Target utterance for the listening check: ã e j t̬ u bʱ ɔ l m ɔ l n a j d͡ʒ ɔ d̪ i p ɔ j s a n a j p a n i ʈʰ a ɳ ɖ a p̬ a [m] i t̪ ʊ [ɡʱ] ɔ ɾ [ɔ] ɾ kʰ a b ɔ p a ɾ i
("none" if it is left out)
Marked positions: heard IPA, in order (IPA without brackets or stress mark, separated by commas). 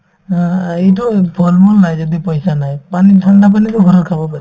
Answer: n, ɡʱ, ɔ